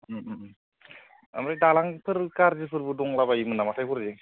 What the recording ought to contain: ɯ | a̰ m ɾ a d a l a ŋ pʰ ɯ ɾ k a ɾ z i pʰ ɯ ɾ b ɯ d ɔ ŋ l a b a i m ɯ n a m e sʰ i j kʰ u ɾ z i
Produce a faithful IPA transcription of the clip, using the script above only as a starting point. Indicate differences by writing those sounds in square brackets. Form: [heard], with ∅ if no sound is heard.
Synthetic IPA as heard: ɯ | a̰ m ɾ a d a l a ŋ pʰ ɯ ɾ k a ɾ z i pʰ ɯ ɾ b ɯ d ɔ ŋ l a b a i m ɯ n a m [a] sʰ [a] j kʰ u ɾ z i